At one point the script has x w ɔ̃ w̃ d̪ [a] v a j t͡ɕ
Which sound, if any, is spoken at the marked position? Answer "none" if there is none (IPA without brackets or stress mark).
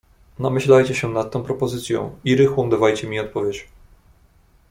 a